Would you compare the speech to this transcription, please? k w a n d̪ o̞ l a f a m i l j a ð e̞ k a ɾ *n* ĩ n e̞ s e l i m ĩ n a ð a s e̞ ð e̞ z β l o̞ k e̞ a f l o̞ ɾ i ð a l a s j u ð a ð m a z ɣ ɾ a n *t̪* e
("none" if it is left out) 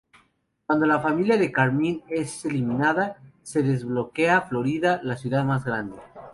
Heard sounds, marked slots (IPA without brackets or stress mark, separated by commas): m, d̪